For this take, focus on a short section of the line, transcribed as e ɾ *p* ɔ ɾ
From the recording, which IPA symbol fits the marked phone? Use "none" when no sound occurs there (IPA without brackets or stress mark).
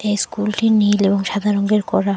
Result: k